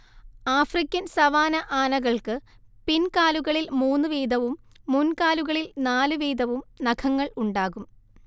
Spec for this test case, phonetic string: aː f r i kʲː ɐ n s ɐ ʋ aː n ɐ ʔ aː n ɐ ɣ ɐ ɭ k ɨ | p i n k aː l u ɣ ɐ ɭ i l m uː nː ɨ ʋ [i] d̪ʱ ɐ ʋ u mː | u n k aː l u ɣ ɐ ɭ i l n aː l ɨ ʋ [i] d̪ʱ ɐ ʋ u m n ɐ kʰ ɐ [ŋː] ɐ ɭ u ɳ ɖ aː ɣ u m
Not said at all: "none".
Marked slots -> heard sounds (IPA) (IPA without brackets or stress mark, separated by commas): iː, iː, ŋː